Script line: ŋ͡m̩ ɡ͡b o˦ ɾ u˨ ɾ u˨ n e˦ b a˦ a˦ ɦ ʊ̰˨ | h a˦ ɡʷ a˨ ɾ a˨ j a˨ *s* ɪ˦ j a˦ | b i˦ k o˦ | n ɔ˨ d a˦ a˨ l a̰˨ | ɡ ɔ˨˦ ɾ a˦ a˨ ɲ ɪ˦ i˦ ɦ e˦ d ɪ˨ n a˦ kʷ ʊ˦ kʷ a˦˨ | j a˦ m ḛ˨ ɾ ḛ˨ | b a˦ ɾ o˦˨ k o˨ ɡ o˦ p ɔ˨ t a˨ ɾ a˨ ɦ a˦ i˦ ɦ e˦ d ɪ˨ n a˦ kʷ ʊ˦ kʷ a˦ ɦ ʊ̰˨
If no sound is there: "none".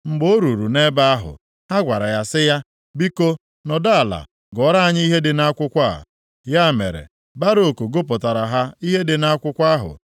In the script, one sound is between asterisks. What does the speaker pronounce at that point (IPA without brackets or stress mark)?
s